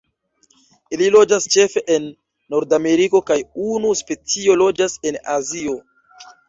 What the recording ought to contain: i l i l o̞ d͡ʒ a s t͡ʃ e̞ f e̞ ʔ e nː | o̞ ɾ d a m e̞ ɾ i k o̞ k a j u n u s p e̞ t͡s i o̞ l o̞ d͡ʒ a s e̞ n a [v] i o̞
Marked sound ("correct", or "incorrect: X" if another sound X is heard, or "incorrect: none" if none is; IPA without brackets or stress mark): incorrect: z